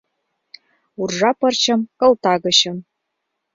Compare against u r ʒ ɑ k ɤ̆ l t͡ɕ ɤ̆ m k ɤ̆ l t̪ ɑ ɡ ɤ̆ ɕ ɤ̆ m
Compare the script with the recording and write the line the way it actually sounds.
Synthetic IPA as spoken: u r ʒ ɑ p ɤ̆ r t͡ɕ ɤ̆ m k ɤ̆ l t̪ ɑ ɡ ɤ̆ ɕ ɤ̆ m